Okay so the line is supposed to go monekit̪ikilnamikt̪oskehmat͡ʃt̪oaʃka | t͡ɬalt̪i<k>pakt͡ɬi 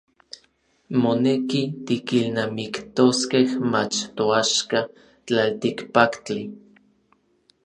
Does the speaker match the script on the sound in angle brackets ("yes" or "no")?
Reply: yes